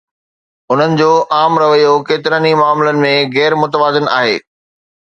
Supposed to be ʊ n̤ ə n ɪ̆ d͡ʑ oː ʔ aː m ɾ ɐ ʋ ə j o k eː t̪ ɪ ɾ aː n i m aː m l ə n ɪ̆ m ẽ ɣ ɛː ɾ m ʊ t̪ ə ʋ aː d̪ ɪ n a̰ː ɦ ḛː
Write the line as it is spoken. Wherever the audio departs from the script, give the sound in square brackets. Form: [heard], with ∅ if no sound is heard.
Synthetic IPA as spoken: ʊ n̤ ə n ɪ̆ d͡ʑ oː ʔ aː m ɾ ɐ ʋ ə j o k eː t̪ ɪ ɾ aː n i m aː m l ə n ɪ̆ m ẽ ɣ ɛː ɾ m ʊ t̪ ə ʋ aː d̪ ɪ n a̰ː ɦ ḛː